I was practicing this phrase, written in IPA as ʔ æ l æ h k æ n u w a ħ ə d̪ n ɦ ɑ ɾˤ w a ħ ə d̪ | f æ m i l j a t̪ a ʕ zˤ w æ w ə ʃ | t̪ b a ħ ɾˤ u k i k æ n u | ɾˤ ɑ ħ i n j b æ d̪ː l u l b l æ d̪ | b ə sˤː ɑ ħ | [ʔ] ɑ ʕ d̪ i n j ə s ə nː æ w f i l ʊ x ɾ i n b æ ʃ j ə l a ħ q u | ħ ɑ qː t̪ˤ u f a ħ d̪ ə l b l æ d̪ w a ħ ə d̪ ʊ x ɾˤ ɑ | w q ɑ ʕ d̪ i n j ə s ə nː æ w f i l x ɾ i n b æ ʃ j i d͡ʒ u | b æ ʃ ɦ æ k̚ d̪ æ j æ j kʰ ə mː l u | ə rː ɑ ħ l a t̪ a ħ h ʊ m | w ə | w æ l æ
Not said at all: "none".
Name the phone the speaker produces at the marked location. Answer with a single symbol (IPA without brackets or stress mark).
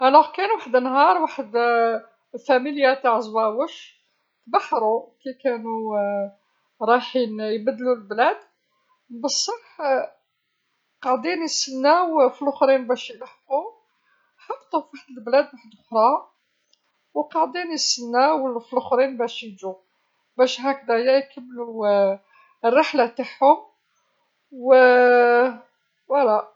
q